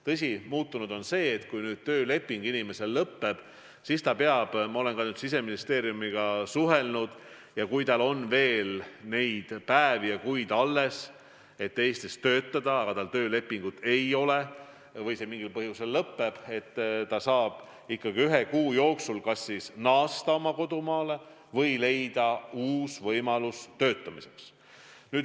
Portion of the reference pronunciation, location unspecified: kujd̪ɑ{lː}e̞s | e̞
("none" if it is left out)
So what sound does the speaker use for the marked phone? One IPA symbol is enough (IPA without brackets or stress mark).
lː